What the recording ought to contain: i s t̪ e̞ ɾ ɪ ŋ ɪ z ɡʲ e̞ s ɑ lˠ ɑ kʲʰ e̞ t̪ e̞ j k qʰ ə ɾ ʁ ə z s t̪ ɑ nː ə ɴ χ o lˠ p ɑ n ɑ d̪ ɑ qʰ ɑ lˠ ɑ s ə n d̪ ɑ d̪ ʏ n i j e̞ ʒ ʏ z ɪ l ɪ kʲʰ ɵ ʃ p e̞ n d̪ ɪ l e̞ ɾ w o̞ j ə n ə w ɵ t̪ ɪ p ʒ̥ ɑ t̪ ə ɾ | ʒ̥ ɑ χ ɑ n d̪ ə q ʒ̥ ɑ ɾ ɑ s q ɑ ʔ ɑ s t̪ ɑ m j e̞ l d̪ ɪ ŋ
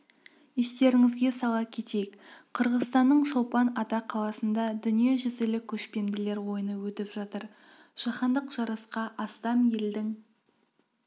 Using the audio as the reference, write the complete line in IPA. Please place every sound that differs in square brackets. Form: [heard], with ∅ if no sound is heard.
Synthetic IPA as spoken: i s t̪ e̞ ɾ ɪ ŋ ɪ z ɡʲ e̞ s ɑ lˠ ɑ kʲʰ e̞ t̪ e̞ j k qʰ ə ɾ ʁ ə z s t̪ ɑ nː ə ɴ [ʃ] o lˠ p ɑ n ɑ [t̪] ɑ qʰ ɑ lˠ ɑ s ə n d̪ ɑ d̪ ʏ n i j e̞ ʒ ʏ z ɪ l ɪ kʲʰ ɵ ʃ p e̞ n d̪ ɪ l e̞ ɾ w o̞ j ə n ə w ɵ t̪ ɪ p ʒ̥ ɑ t̪ ə ɾ | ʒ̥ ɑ χ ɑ n d̪ ə q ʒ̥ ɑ ɾ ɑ s q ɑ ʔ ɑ s t̪ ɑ m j e̞ l d̪ ɪ ŋ